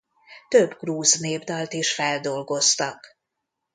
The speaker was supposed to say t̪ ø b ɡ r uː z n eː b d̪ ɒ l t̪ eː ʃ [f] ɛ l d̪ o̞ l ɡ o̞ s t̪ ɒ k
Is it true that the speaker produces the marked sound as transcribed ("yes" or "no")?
yes